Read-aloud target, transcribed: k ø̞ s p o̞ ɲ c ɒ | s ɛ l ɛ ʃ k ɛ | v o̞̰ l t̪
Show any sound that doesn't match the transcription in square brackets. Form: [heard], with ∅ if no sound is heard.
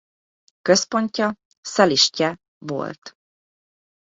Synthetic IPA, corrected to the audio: k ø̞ s p o̞ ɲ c ɒ | s ɛ l [i] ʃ [c] ɛ | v o̞̰ l t̪